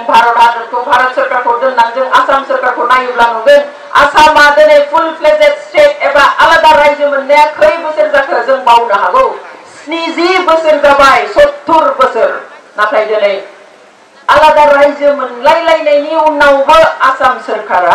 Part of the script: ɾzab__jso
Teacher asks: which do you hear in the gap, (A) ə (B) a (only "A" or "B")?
B